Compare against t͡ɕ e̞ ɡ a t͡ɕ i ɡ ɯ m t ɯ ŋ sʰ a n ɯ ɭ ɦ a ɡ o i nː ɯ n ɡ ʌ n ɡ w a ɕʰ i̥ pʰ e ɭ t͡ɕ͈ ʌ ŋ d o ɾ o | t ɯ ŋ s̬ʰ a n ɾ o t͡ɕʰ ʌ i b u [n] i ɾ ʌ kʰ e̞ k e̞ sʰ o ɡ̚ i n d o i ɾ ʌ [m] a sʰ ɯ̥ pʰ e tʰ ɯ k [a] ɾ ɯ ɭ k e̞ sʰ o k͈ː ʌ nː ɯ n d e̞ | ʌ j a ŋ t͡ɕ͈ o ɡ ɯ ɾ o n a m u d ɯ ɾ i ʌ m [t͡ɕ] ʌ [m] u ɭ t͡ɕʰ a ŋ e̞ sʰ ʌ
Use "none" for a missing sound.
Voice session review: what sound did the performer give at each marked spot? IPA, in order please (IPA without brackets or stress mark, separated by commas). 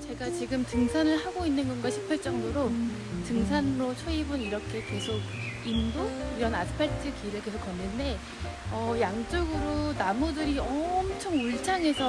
n, n, i, t͡ɕʰ, ŋ